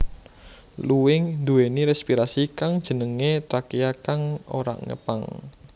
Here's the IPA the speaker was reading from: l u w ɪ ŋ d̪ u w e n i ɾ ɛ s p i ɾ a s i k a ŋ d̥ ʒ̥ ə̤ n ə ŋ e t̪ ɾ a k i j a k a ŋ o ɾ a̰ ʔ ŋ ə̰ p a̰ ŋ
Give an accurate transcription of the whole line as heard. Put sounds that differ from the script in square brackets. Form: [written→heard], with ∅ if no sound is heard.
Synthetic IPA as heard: l u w ɪ ŋ d̪ u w e n i ɾ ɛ s p i ɾ a s i k a ŋ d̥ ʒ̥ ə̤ n ə ŋ e t̪ ɾ a k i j a k a ŋ o ɾ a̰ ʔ ŋ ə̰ p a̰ ŋ